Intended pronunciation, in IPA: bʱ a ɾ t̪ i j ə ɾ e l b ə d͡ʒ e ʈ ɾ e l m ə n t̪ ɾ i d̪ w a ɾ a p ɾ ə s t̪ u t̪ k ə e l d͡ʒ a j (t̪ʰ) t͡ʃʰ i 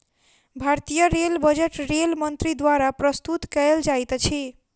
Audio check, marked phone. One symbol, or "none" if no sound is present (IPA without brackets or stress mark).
t̪